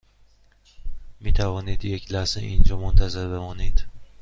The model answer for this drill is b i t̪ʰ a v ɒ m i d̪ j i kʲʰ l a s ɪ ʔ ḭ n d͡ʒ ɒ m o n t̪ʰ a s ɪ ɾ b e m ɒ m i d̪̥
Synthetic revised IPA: m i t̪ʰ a v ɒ n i d̪ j e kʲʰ l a s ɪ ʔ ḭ n d͡ʒ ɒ m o n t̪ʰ a z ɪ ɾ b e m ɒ n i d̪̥